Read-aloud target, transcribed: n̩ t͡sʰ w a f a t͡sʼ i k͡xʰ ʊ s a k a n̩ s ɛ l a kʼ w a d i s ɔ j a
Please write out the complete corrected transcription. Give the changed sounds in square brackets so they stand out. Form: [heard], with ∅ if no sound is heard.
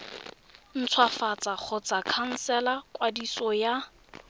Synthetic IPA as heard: n̩ t͡sʰ w a f a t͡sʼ [a] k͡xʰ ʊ [t͡s] a [kʰ] a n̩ s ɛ l a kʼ w a d i s ɔ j a